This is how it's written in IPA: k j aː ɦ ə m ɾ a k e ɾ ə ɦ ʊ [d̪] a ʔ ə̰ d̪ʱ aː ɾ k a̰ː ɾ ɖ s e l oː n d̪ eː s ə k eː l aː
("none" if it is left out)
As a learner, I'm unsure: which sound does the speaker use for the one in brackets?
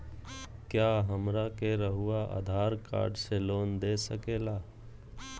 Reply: none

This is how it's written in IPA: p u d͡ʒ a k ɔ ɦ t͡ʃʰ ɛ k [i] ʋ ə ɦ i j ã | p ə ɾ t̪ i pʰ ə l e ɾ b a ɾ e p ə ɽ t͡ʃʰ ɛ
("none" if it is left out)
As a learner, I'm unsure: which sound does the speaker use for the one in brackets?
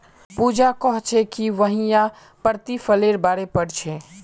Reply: i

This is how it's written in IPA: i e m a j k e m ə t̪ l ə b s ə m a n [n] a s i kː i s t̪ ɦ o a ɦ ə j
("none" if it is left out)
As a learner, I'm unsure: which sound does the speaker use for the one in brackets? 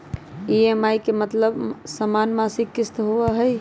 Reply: m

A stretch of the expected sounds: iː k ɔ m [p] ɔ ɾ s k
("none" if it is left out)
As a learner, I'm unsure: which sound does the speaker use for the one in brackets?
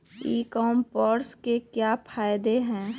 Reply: p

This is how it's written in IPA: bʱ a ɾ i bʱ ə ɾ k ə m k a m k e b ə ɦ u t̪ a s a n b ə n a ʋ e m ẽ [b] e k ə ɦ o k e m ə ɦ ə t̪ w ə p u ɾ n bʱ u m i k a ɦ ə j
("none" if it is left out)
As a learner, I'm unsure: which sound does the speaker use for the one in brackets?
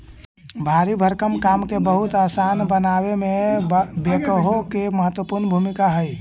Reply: b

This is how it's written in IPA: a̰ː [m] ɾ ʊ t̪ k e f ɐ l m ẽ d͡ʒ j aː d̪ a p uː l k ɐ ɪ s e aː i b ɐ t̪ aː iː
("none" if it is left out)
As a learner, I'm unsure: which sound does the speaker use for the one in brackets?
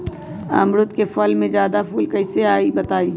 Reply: m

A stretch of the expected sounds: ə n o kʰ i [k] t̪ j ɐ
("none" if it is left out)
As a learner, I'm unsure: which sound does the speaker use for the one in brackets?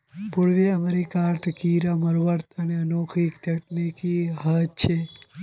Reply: k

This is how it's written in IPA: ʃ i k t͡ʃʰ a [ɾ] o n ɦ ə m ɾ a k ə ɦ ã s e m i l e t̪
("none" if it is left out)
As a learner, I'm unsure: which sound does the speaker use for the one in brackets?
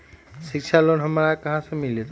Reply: l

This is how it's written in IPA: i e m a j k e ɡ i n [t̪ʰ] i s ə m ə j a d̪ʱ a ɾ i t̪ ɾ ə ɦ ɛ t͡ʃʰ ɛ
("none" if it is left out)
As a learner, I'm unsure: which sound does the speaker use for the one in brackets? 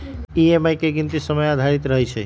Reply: t̪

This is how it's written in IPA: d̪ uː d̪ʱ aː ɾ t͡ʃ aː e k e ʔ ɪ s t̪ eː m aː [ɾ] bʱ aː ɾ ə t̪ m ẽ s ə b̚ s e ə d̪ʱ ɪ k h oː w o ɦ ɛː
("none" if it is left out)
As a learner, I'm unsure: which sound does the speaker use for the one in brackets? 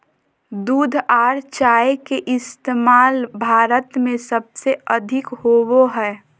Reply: l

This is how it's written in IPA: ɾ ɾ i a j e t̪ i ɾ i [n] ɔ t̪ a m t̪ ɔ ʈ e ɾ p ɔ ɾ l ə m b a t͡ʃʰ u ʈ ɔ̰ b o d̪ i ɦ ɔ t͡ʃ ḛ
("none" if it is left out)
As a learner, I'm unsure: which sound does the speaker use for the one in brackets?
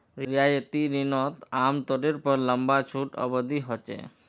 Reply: n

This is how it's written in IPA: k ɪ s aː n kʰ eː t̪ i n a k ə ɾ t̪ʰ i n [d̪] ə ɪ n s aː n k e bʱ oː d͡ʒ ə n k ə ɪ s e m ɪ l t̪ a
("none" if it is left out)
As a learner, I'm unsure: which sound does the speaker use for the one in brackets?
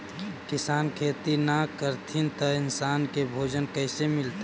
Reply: t̪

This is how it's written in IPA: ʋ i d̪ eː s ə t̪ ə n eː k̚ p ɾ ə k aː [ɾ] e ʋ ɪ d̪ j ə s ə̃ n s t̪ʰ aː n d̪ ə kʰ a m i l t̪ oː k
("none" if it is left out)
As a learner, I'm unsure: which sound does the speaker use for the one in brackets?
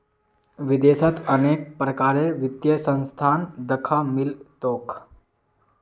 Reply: ɾ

